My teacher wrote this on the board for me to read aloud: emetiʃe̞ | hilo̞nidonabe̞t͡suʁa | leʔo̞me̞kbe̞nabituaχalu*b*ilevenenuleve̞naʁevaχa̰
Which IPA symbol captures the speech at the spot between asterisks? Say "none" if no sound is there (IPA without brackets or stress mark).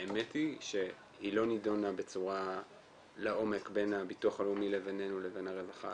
m